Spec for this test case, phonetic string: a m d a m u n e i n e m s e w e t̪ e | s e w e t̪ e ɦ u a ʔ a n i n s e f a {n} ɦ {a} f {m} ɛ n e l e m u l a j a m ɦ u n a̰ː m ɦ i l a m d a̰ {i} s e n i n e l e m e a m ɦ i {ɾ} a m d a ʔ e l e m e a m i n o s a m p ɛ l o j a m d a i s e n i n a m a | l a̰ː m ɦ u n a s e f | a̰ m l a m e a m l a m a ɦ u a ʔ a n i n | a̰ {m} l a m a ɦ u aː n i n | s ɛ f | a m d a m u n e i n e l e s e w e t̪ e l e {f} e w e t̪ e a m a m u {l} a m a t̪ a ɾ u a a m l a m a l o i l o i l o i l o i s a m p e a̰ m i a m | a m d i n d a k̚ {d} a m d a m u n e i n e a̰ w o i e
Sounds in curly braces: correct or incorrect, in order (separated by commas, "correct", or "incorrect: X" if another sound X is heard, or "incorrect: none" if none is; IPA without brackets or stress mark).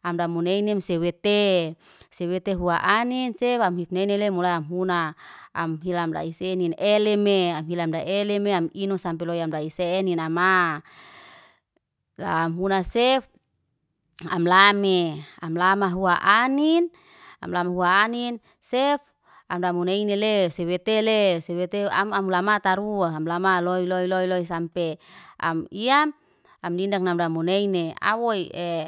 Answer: incorrect: m, incorrect: i, incorrect: n, correct, incorrect: l, correct, incorrect: s, correct, incorrect: n